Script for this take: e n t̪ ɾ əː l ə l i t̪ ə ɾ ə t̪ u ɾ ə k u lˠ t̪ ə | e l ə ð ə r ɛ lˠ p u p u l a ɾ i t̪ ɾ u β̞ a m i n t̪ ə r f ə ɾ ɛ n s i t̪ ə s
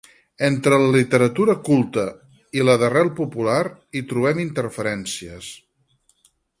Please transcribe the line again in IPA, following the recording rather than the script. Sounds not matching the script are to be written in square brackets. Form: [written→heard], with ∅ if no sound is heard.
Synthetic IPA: e n t̪ ɾ [əː→ə] l ə l i t̪ ə ɾ ə t̪ u ɾ ə k u lˠ t̪ ə | [e→i] l ə ð ə r ɛ lˠ p u p u l a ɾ i t̪ ɾ u β̞ [a→ɛ] m i n t̪ ə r f ə ɾ ɛ n s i [t̪→∅] ə s